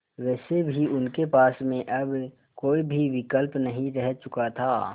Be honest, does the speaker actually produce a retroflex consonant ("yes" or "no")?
no